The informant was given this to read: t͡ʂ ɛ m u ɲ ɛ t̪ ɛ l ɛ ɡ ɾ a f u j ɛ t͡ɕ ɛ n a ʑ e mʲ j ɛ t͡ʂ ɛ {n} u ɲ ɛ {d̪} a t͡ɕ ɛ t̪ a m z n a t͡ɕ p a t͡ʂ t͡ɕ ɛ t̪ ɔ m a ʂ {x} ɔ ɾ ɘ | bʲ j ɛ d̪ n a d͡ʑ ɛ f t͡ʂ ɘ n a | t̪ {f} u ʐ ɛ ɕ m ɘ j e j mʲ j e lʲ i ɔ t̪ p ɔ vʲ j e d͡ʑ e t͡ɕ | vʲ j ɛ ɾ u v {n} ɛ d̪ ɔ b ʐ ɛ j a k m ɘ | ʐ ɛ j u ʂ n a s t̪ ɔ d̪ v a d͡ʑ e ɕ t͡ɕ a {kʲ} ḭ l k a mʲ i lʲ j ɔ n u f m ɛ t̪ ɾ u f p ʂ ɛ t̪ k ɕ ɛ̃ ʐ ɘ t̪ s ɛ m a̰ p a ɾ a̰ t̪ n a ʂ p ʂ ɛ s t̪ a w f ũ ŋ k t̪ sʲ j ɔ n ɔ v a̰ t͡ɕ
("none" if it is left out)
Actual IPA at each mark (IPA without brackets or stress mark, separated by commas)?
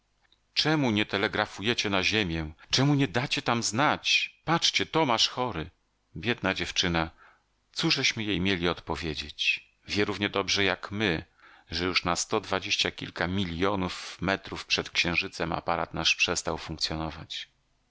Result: m, d̪, x, s, ɲ, kʲ